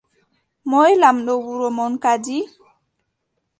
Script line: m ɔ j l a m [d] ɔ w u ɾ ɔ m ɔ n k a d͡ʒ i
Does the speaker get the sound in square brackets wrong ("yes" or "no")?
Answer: yes